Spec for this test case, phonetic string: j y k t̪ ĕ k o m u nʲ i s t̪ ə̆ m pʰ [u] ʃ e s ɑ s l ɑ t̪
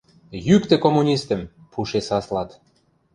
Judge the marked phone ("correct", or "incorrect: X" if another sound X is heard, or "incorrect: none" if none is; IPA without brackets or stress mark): correct